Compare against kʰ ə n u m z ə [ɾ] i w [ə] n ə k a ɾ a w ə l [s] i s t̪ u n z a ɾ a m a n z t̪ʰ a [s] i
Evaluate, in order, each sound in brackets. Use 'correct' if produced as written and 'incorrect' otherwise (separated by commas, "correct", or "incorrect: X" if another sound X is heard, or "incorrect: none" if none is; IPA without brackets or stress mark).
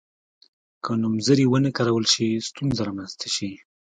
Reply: correct, correct, incorrect: ʃ, incorrect: ʃ